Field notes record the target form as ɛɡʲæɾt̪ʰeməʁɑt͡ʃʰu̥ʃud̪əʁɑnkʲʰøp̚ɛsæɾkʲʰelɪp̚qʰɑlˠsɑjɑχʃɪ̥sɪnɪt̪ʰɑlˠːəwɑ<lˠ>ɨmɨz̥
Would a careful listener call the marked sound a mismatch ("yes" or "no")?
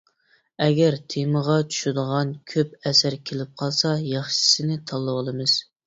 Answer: no